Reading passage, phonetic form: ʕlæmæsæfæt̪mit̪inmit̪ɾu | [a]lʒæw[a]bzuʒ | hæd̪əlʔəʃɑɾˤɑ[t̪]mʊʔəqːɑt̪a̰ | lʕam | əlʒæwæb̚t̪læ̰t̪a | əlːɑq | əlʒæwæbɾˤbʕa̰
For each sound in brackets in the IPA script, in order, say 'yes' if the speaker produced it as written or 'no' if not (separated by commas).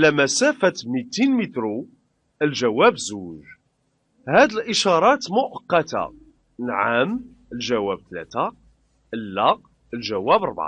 no, no, yes